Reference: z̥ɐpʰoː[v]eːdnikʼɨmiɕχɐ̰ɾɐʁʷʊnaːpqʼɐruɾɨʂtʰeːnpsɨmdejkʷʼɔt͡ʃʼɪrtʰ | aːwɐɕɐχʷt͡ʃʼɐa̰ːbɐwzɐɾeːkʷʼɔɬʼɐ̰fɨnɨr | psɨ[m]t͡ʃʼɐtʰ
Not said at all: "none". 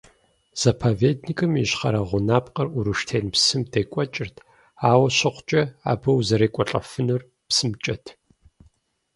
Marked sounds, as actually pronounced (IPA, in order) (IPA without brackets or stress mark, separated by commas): v, m